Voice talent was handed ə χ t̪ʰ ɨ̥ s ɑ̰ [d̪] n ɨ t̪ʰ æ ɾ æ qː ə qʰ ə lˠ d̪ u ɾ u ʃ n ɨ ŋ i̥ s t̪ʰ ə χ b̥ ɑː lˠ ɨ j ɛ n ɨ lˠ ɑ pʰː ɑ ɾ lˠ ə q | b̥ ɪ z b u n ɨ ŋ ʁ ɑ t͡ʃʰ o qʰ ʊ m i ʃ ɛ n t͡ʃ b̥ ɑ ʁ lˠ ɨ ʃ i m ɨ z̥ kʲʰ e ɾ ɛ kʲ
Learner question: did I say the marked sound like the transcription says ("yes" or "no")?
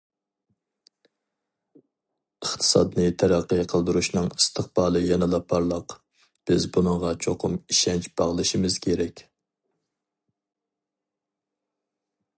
yes